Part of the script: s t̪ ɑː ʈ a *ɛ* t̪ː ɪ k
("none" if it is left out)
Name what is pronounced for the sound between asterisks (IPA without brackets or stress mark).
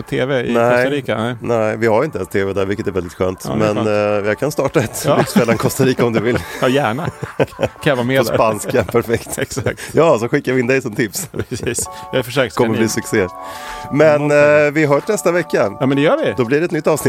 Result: ɛ